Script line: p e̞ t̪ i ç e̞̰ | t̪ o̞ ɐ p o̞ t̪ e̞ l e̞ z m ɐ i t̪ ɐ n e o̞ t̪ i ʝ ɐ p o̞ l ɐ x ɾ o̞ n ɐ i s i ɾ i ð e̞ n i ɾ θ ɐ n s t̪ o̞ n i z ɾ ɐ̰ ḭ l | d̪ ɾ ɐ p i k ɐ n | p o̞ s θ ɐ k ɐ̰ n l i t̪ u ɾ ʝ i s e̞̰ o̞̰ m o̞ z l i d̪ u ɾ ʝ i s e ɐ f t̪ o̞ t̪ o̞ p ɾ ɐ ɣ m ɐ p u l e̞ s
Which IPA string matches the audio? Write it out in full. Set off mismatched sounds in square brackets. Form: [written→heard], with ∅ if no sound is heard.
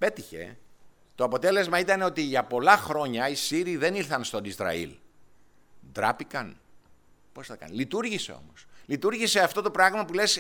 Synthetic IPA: p e̞ t̪ i ç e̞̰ | t̪ o̞ ɐ p o̞ t̪ e̞ l e̞ z m ɐ i t̪ ɐ n e o̞ t̪ i ʝ ɐ p o̞ l ɐ x ɾ o̞ [n→ɲ] ɐ i s i ɾ i ð e̞ n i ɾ θ ɐ n s t̪ o̞ n i z ɾ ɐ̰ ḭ l | d̪ ɾ ɐ p i k ɐ n | p o̞ s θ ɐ k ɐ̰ n l i t̪ u ɾ ʝ i s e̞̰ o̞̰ m o̞ [z→s] l i [d̪→t̪] u ɾ ʝ i s e ɐ f t̪ o̞ t̪ o̞ p ɾ ɐ ɣ m ɐ p u l e̞ s